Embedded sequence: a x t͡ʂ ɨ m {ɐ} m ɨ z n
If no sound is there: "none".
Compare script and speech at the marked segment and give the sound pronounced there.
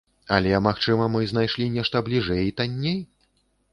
ɐ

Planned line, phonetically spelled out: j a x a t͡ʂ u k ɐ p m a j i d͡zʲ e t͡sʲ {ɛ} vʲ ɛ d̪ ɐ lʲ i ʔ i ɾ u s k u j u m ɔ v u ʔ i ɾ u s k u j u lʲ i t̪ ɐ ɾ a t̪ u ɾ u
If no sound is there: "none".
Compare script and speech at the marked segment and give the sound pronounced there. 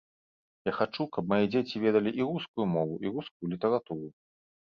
i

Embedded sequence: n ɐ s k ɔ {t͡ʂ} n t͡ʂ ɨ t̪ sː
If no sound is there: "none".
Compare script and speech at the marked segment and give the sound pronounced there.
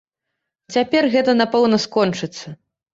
none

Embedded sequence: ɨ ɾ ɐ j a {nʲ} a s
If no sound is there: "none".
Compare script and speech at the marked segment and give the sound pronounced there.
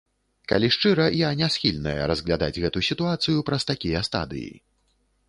nʲ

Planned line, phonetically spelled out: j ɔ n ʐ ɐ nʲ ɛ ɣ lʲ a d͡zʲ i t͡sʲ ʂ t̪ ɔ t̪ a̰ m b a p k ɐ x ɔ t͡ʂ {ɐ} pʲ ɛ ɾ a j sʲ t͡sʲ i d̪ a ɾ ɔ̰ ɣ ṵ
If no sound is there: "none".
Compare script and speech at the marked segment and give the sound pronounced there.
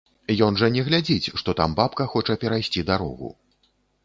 ɐ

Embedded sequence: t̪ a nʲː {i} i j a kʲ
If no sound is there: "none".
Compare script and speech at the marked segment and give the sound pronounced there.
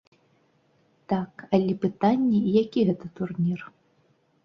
ɛ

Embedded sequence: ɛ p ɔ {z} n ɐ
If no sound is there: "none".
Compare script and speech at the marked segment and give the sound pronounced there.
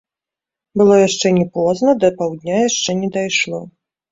z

